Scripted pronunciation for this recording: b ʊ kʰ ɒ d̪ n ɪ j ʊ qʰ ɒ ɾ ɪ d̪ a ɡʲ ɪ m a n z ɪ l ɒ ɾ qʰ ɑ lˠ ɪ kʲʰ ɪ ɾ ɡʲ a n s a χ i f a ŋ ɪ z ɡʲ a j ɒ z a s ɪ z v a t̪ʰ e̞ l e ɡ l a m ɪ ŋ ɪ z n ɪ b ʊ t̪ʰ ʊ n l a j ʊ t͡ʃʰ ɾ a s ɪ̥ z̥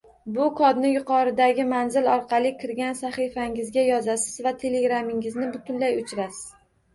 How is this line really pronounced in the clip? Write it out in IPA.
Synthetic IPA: b ʊ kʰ ɒ d̪ n ɪ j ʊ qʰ ɒ ɾ ɪ d̪ a ɡʲ ɪ m a n z ɪ l ɒ ɾ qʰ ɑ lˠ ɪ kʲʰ ɪ ɾ ɡʲ a n s a χ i f a ŋ ɪ z ɡʲ a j ɒ z a s ɪ z v a t̪ʰ e̞ l e ɡ ɾ a m ɪ ŋ ɪ z n ɪ b ʊ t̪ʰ ʊ n l a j ʊ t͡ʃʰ ɾ a s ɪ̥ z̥